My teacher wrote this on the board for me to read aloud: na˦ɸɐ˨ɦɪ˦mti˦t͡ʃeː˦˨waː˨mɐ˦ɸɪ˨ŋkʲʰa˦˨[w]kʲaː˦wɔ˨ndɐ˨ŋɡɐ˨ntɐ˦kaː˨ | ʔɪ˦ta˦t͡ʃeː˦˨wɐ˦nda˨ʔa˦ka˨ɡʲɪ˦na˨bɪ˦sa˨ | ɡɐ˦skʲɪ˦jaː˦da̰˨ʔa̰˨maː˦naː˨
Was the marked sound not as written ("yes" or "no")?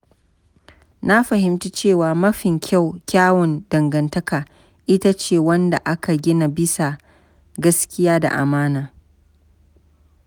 no